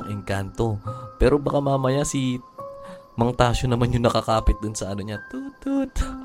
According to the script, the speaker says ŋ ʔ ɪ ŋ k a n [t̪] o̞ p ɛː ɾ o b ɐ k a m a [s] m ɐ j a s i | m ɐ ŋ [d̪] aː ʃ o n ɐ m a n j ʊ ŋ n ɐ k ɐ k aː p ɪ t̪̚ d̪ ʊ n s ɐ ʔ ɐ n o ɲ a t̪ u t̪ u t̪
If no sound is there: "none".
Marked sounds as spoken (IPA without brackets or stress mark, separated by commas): t̪, none, t̪